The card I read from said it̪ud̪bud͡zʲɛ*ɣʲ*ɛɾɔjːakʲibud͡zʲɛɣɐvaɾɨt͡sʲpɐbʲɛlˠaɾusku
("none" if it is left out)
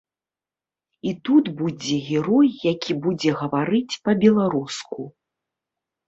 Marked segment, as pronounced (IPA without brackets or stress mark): ɣʲ